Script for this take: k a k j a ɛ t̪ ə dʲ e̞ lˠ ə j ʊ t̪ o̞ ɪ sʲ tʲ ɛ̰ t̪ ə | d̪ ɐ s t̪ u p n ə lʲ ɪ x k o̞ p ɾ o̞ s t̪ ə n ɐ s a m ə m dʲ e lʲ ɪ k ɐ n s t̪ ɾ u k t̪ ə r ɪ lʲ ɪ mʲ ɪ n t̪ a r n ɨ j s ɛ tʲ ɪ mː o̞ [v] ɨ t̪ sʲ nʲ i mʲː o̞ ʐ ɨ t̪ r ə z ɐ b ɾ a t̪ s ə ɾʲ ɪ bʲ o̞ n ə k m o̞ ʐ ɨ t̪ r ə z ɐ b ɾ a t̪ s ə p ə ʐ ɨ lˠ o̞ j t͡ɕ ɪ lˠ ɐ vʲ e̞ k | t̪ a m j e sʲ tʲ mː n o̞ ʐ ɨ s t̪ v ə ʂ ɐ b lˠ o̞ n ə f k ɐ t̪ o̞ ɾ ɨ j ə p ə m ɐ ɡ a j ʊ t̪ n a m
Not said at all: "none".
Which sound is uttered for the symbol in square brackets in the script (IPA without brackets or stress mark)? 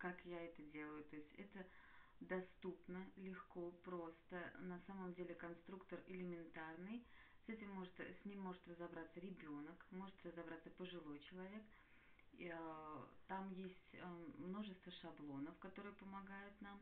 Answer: ʐ